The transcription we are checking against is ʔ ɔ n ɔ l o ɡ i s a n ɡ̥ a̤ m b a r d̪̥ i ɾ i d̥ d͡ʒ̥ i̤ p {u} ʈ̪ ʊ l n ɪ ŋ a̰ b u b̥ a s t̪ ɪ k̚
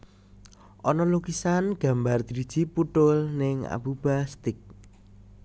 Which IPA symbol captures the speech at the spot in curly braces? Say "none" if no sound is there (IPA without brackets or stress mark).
u